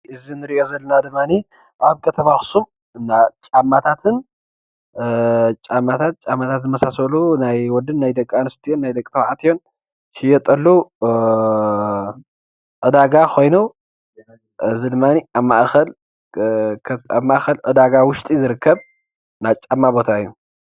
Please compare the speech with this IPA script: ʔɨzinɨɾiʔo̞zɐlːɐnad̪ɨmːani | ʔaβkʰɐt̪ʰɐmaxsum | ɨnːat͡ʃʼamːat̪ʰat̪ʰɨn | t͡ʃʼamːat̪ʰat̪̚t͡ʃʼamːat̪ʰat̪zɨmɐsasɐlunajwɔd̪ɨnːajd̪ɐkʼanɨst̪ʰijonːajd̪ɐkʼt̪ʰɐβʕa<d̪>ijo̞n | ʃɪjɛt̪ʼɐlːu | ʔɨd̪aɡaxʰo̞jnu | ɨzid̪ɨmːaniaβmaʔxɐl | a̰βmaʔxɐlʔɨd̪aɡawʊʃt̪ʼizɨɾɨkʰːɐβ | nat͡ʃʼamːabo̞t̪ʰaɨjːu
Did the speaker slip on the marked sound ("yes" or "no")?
yes